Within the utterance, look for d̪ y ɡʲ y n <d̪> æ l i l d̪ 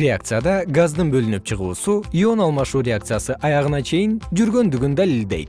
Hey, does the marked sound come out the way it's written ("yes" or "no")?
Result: yes